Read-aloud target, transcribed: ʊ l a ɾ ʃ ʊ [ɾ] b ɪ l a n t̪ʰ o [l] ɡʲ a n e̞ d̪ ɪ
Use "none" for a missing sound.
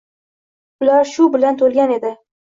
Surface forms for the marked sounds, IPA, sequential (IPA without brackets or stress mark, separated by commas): none, l